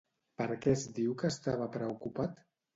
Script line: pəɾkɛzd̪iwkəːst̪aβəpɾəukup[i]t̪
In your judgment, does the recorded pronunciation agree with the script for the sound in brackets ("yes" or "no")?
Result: no